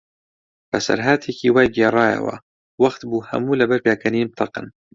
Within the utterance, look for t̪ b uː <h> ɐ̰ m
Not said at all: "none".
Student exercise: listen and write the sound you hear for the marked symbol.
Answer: h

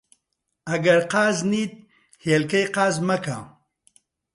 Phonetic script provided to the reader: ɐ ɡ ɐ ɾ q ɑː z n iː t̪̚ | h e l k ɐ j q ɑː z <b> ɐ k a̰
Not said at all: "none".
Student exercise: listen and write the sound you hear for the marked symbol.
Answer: m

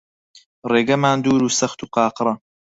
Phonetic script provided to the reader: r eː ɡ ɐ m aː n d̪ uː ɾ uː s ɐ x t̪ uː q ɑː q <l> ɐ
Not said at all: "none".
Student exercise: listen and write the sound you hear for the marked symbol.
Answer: ɾ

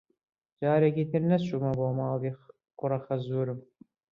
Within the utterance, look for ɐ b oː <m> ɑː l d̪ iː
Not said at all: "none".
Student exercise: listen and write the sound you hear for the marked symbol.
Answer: m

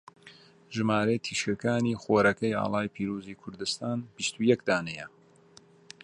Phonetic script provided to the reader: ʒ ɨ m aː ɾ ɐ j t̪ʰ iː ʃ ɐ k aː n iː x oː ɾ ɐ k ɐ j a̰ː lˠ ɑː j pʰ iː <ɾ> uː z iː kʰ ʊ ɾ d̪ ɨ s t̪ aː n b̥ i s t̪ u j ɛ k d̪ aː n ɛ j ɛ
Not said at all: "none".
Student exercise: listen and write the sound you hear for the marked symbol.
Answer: ɾ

